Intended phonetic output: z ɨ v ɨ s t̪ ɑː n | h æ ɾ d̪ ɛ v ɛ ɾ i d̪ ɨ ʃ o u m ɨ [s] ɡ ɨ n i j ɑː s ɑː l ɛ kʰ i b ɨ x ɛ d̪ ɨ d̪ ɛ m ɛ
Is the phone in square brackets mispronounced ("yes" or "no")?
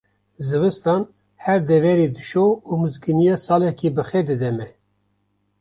yes